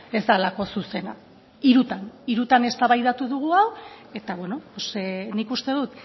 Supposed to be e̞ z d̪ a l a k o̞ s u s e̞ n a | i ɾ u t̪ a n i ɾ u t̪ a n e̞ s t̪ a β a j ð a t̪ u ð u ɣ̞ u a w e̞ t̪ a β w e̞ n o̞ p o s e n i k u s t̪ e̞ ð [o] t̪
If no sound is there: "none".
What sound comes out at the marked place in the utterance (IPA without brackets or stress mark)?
u